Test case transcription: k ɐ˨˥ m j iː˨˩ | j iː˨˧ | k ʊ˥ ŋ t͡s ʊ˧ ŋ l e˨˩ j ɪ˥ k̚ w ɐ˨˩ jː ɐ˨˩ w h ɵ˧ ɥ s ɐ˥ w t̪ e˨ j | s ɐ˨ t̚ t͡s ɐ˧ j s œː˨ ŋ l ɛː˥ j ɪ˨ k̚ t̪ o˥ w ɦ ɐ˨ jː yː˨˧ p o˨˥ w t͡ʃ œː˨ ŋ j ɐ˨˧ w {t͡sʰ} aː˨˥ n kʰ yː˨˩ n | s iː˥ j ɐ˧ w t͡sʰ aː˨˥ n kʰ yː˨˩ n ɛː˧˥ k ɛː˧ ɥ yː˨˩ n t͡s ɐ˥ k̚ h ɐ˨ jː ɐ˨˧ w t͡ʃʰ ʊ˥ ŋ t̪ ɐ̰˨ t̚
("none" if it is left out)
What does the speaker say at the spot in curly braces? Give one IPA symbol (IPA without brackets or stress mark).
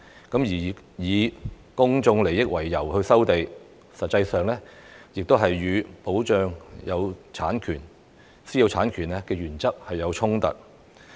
t͡sʰ